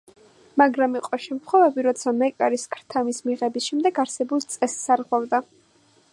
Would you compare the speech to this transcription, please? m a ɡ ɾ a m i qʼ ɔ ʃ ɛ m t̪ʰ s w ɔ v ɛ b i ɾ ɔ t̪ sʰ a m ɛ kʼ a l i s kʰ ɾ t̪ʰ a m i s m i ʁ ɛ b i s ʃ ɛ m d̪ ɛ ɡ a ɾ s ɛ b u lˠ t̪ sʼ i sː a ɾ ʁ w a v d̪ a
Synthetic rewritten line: m a ɡ ɾ a m i qʼ ɔ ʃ ɛ m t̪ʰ χ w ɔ v ɛ b i ɾ ɔ t̪ sʰ a m ɛ kʼ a ɾ i s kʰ ɾ t̪ʰ a m i s m i ʁ ɛ b i s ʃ ɛ m d̪ ɛ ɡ a ɾ s ɛ b u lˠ t̪ sʼ ɛ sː a ɾ ʁ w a v d̪ a